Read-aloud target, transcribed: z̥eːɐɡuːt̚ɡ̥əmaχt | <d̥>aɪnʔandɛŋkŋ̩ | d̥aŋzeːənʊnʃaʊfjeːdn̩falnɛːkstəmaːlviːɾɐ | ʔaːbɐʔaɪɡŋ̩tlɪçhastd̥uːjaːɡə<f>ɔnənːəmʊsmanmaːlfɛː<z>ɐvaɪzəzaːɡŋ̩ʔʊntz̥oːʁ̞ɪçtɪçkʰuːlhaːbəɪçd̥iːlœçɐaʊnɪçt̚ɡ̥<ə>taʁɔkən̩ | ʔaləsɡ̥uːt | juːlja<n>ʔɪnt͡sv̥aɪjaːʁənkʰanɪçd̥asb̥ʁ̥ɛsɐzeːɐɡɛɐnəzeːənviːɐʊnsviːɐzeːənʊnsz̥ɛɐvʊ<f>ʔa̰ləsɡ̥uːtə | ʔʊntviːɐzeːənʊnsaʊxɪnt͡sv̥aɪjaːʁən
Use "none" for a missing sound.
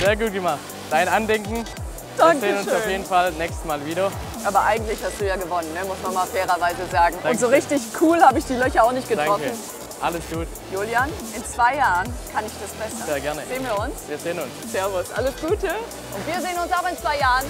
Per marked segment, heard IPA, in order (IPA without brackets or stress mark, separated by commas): d̥, v, ʁ, ə, n, s